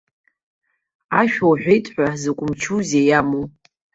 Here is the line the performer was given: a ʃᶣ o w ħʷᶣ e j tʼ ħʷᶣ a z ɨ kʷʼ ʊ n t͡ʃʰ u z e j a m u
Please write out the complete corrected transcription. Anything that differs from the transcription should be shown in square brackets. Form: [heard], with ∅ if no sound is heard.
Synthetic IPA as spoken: a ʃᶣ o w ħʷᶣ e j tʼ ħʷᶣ a z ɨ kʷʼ ʊ [m] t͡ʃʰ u z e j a m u